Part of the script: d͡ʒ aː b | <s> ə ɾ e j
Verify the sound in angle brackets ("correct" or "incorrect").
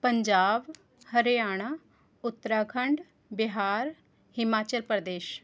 incorrect